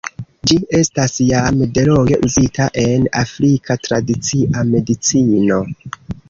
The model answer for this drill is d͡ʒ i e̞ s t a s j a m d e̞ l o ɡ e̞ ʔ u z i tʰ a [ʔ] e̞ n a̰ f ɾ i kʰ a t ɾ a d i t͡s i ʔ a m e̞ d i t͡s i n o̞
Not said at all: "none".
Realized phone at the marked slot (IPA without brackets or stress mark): ʔ